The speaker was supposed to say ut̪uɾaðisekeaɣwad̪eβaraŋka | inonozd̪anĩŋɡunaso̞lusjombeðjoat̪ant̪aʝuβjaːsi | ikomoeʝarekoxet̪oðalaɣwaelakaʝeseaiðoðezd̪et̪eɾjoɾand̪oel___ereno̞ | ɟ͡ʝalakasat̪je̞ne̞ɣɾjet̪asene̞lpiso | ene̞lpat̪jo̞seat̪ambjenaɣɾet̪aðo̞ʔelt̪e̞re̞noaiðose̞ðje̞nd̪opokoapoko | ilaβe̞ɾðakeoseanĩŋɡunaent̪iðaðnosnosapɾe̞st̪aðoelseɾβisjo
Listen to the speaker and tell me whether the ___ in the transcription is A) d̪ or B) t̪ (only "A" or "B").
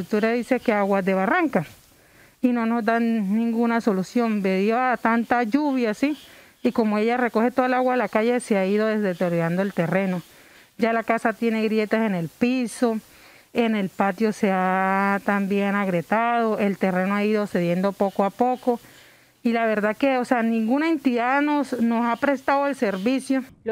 B